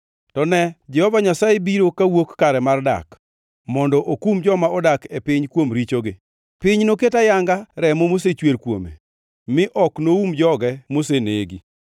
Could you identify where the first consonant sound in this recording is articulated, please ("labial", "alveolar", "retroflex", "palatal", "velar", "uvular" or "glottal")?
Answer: alveolar